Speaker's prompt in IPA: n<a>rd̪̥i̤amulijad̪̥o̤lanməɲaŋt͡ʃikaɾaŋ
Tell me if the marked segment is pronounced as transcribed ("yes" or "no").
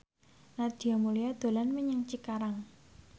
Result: yes